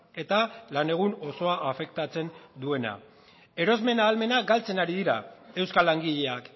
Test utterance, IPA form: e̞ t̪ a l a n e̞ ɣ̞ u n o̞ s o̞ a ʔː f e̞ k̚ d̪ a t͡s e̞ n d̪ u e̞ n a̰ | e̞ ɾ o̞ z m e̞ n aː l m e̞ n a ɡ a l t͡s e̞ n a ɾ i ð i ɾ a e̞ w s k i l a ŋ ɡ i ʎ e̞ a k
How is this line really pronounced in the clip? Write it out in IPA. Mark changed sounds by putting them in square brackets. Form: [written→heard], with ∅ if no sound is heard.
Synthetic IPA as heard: e̞ t̪ a l a n e̞ ɣ̞ u n o̞ s o̞ a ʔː f e̞ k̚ [d̪→t̪] a t͡s e̞ n d̪ u e̞ n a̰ | e̞ ɾ o̞ z m e̞ n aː l m e̞ n a ɡ a l t͡s e̞ n a ɾ i ð i ɾ a e̞ w s k [i→a] l a ŋ ɡ i ʎ e̞ a k